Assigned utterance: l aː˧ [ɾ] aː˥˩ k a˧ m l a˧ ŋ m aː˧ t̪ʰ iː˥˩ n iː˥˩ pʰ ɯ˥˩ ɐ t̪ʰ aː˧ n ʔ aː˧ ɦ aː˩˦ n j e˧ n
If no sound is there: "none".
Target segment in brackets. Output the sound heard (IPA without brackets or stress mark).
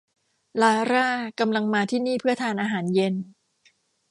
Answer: ɾ